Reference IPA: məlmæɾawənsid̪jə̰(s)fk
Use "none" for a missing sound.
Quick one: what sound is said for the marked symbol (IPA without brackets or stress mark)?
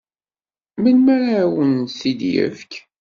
none